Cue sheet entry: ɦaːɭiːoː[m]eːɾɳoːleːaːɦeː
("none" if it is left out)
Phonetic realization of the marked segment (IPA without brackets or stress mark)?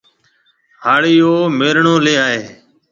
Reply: m